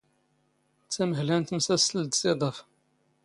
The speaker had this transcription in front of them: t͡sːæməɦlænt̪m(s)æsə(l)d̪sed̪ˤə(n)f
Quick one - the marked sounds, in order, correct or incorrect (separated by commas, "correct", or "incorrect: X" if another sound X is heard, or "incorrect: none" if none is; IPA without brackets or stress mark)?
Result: correct, correct, incorrect: none